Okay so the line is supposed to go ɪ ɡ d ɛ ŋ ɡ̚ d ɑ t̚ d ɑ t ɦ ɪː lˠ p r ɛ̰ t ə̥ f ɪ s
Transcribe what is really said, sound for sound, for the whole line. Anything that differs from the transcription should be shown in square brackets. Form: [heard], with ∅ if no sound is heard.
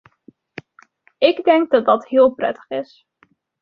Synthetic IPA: ɪ ɡ d ɛ ŋ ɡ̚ d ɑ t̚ d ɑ t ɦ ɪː lˠ p r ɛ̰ t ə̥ [χ] ɪ s